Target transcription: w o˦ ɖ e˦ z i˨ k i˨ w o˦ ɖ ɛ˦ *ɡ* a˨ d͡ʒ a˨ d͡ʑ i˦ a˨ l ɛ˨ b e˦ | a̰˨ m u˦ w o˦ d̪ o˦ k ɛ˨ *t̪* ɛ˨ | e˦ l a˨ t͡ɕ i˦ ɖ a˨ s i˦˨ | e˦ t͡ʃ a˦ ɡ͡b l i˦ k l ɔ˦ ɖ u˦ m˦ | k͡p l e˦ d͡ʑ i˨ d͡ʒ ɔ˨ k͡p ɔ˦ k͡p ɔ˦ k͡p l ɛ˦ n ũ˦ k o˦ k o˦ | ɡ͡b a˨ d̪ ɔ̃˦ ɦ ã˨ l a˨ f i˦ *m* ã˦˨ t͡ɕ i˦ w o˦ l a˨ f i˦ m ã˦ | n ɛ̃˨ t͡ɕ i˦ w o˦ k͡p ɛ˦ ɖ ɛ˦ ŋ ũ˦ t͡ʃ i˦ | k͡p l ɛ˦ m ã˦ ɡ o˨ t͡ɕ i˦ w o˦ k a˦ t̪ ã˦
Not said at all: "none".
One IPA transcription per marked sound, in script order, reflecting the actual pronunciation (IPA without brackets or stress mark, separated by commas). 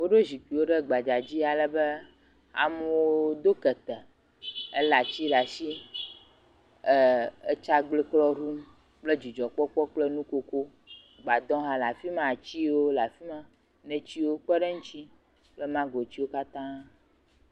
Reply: ɡ͡b, t̪, m